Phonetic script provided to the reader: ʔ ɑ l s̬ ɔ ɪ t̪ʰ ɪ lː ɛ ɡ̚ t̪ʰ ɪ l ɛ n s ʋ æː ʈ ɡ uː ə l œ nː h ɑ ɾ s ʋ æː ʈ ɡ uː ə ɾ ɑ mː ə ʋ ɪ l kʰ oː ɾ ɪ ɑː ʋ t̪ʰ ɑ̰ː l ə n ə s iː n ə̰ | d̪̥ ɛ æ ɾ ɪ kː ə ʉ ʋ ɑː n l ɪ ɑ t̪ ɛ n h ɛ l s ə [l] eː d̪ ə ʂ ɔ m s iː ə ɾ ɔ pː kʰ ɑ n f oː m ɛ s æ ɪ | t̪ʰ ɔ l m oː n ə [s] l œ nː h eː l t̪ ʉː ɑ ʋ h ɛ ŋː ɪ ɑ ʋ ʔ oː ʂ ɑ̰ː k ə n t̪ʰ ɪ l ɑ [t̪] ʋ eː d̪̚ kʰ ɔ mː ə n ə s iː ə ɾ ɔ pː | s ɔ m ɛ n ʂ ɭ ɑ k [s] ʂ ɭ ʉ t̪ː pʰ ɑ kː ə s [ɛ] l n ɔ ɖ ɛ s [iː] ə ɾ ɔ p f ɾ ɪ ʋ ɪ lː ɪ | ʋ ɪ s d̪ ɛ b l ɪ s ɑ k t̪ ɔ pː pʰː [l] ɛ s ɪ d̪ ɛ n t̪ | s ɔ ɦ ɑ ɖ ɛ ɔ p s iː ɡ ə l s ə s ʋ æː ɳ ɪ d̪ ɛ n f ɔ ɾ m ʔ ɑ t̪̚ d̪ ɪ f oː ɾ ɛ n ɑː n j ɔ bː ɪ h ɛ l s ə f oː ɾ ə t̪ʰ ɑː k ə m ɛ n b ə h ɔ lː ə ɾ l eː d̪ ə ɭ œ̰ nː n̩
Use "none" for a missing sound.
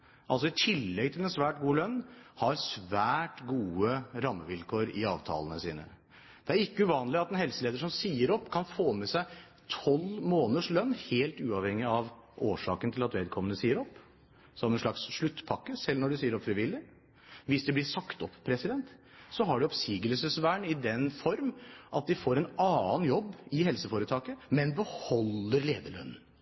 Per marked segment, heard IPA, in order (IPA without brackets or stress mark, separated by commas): l, ʂ, t̪, s, ɛ, iː, ɾ